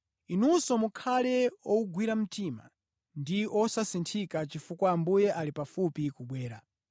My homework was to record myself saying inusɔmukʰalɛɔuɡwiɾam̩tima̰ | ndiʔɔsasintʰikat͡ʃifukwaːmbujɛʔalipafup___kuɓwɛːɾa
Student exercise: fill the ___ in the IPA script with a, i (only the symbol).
i